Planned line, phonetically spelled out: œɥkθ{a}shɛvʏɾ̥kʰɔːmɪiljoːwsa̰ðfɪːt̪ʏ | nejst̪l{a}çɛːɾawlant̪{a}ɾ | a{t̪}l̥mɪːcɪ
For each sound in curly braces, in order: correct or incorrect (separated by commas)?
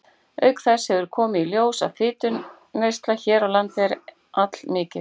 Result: incorrect, correct, incorrect, correct